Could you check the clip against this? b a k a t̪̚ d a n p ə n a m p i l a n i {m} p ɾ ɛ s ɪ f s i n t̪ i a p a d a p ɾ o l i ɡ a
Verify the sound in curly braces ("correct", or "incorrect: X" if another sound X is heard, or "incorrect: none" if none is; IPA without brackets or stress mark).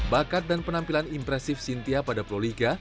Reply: correct